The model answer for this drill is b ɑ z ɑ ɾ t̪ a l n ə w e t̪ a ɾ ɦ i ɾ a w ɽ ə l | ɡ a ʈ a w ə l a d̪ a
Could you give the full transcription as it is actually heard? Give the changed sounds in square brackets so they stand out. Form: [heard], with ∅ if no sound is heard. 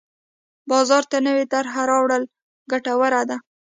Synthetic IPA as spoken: b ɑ z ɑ ɾ t̪ a [∅] n ə w e t̪ a ɾ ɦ [a] ɾ [ɑ] w ɽ ə l | ɡ a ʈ a w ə [ɾ] a d̪ a